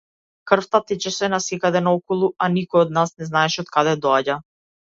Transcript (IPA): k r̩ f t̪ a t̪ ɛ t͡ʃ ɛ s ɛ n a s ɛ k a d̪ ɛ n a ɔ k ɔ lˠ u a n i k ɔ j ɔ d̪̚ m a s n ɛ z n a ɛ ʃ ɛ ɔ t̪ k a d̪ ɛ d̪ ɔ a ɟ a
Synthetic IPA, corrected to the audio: k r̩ f t̪ a t̪ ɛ t͡ʃ ɛ s ɛ n a s ɛ k a d̪ ɛ n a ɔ k ɔ lˠ u a n i k ɔ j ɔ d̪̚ n a s n ɛ z n a ɛ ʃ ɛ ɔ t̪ k a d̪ ɛ d̪ ɔ a ɟ a